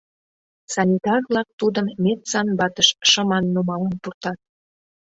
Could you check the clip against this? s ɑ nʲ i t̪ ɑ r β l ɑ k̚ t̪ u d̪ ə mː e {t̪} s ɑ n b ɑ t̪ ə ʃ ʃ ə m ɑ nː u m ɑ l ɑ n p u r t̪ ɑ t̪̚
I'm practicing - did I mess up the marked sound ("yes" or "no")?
no